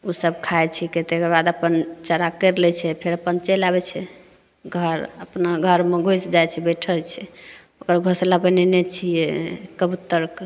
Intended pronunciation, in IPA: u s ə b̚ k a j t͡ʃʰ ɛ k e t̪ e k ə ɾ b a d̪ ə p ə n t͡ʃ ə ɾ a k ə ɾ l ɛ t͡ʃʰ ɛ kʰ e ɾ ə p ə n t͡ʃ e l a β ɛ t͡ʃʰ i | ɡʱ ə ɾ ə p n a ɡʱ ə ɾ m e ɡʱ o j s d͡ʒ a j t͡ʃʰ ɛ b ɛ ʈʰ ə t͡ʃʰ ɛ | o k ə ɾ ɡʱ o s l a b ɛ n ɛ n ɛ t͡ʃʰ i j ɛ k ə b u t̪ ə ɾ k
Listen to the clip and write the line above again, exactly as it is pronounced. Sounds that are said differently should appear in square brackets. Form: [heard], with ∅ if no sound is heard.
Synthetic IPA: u s ə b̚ [kʰ] a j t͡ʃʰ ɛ k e t̪ e k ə ɾ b a d̪ ə p ə n t͡ʃ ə ɾ a k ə ɾ l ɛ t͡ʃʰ ɛ [pʰ] e ɾ ə p ə n t͡ʃ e l a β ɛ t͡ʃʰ [ɛ] | ɡʱ ə ɾ ə p n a ɡʱ ə ɾ m e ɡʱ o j s d͡ʒ a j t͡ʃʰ ɛ b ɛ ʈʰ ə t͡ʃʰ ɛ | o k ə ɾ ɡʱ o s l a b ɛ n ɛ n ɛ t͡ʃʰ i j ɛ k ə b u t̪ ə ɾ k